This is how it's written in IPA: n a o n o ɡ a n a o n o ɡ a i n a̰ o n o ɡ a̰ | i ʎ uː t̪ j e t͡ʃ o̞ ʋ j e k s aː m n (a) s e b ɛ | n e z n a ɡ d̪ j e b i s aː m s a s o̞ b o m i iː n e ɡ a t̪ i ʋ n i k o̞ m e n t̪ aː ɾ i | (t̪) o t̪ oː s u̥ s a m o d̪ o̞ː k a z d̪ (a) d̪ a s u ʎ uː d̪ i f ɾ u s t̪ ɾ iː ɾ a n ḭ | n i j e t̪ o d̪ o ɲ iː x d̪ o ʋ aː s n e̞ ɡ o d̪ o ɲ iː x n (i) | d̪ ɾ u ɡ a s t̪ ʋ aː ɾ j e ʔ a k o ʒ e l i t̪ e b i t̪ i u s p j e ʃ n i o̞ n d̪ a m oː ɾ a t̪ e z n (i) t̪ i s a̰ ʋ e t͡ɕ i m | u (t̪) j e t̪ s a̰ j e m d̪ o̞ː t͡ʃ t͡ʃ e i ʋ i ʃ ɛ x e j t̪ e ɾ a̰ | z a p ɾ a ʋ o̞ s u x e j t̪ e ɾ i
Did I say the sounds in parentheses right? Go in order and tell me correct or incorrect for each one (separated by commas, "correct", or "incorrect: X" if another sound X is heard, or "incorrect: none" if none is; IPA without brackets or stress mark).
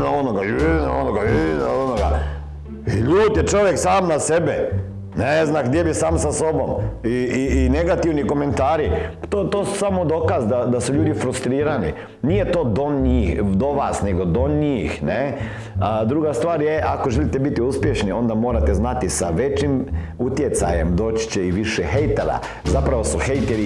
correct, correct, correct, incorrect: e, incorrect: a, correct